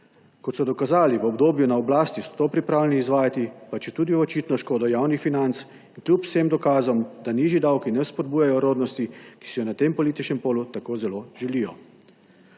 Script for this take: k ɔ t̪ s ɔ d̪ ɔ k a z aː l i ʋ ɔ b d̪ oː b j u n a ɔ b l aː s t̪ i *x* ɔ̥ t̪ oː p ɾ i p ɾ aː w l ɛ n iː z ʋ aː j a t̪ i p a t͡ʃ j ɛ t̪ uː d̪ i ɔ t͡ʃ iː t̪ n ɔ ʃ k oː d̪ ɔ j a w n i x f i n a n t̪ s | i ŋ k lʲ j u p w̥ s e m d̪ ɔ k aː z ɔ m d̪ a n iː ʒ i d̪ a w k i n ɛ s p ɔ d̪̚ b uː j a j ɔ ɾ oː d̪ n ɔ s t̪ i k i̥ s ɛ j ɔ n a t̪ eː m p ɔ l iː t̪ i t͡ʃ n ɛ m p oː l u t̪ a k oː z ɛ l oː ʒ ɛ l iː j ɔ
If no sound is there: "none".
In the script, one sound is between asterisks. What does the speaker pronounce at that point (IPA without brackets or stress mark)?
s